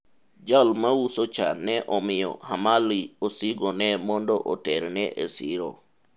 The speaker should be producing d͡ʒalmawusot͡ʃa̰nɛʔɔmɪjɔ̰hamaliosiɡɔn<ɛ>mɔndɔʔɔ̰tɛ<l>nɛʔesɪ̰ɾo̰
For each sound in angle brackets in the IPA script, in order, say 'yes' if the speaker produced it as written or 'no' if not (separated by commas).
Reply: yes, no